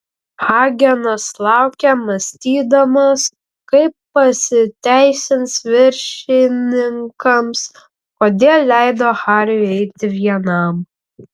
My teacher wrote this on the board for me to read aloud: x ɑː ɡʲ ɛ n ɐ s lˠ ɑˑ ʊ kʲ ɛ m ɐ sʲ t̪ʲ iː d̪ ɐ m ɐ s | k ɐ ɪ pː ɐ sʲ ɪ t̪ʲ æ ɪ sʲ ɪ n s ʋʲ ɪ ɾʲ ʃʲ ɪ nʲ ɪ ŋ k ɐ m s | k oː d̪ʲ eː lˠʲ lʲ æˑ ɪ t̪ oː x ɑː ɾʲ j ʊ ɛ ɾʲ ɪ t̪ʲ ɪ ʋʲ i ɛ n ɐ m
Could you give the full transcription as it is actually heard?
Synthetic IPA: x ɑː ɡʲ ɛ n ɐ s lˠ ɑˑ ʊ kʲ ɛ m ɐ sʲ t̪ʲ iː d̪ ɐ m ɐ s | k ɐ ɪ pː ɐ sʲ ɪ t̪ʲ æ ɪ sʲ ɪ n s ʋʲ ɪ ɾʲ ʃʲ ɪ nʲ ɪ ŋ k ɐ m s | k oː d̪ʲ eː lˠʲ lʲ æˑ ɪ d̪ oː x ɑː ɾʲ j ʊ ɛ ɪ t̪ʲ ɪ ʋʲ i ɛ n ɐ m

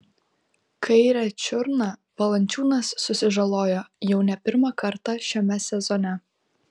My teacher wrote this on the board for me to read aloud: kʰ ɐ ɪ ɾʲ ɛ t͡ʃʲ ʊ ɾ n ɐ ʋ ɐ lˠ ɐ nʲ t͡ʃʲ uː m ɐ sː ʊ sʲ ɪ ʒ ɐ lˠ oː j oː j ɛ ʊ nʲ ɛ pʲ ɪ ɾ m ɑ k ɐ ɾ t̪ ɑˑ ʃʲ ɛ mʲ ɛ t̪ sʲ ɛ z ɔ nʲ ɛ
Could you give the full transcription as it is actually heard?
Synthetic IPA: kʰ ɐ ɪ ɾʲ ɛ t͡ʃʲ ʊ ɾ n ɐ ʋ ɐ lˠ ɐ nʲ t͡ʃʲ uː n ɐ sː ʊ sʲ ɪ ʒ ɐ lˠ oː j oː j ɛ ʊ nʲ ɛ pʲ ɪ ɾ m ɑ k ɐ ɾ t̪ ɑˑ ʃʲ ɛ mʲ ɛ sʲ ɛ z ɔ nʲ ɛ

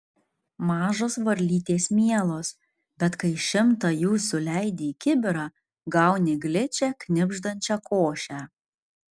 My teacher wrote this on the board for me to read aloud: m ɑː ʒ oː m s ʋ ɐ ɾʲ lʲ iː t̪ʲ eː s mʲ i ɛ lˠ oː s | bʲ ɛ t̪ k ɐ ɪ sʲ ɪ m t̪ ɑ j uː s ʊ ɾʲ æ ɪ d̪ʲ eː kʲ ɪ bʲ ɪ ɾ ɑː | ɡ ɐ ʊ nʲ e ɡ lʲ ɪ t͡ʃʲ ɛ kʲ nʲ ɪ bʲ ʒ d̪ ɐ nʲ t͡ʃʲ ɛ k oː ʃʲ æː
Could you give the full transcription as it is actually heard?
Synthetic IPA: m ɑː ʒ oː s ʋ ɐ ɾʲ lʲ iː t̪ʲ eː s mʲ i ɛ lˠ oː s | bʲ ɛ t̪ k ɐ ɪ ʃʲ ɪ m t̪ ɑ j uː s ʊ lʲ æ ɪ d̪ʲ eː kʲ ɪ bʲ ɪ ɾ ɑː | ɡ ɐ ʊ nʲ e ɡ lʲ ɪ t͡ʃʲ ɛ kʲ nʲ ɪ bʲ ʒ d̪ ɐ nʲ t͡ʃʲ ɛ k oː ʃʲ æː

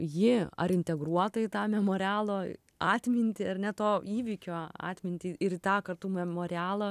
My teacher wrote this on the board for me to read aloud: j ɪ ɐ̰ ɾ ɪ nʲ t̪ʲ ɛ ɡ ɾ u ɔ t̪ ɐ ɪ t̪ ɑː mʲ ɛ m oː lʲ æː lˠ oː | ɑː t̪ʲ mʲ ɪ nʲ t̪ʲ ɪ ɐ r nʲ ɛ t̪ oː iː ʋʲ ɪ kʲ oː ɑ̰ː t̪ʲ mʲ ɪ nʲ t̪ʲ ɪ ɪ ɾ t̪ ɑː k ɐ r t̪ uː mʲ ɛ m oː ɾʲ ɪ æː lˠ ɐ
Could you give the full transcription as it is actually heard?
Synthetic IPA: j ɪ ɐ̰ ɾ ɪ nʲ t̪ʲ ɛ ɡ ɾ u ɔ t̪ ɐ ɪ t̪ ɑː mʲ ɛ m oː ɾʲ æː lˠ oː | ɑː t̪ʲ mʲ ɪ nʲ t̪ʲ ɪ ɐ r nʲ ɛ t̪ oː iː ʋʲ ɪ kʲ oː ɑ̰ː t̪ʲ mʲ ɪ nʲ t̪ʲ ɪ ɪ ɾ t̪ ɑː k ɐ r t̪ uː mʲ ɛ m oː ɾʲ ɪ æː lˠ ɐ

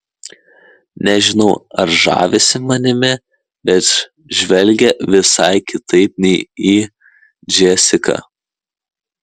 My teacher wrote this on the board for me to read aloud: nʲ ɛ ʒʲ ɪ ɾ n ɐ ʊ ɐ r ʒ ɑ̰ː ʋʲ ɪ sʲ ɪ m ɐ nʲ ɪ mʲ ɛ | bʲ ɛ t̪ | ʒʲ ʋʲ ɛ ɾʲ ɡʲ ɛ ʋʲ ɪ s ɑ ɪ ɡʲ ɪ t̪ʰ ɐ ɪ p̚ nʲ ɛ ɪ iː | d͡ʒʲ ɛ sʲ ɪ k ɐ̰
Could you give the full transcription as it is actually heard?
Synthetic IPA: nʲ ɛ ʒʲ ɪ n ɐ ʊ ɐ ɾ ʒ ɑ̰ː ʋʲ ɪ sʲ ɪ m ɐ nʲ ɪ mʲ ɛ | bʲ ɛ t̪ | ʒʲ ʋʲ ɛ lʲ ɡʲ ɛ ʋʲ ɪ s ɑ ɪ kʲ ɪ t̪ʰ ɐ ɪ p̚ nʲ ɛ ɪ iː | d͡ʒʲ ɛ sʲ ɪ k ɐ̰

